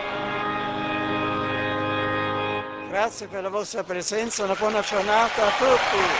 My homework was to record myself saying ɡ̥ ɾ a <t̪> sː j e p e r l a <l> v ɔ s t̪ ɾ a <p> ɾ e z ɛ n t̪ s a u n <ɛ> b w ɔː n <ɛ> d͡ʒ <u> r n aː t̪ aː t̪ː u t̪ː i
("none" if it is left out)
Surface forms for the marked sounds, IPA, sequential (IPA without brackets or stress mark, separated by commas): t̪, none, p, a, a, o